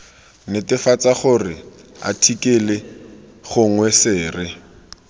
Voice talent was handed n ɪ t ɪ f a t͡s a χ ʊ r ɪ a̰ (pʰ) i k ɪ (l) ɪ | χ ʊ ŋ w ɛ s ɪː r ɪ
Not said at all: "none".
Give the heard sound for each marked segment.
tʰ, l

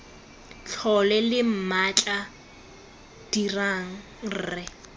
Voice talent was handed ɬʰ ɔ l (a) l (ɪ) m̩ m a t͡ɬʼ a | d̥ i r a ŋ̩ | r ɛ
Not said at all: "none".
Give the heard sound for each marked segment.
ɛ, ɪ

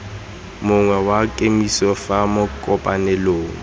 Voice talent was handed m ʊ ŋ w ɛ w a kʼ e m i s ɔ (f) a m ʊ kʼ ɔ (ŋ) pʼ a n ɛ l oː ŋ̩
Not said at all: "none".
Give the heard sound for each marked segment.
f, none

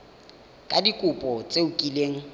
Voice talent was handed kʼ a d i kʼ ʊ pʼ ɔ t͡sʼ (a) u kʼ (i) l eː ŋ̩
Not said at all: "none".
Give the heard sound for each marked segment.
e, i

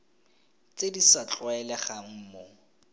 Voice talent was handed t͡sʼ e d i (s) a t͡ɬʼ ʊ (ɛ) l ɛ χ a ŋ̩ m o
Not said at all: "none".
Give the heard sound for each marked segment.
s, ɛ

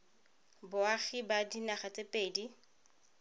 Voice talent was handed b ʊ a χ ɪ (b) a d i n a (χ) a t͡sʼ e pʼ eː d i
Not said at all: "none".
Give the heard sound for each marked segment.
b, χ

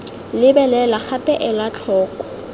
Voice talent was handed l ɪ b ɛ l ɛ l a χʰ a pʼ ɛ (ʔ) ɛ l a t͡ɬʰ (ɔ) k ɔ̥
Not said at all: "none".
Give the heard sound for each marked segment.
ʔ, ɔː

